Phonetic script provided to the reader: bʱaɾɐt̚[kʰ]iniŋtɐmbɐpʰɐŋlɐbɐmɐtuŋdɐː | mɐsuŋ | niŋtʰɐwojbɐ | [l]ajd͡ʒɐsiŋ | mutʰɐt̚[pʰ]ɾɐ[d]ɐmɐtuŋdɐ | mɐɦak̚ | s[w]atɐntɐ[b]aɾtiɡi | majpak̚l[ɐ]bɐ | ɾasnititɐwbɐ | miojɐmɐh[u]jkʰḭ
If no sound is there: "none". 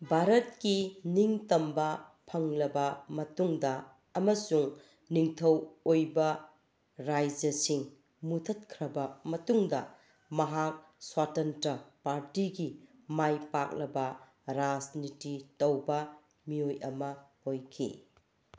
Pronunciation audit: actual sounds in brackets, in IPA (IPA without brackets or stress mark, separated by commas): k, ɾ, kʰ, b, w, p, ɐ, o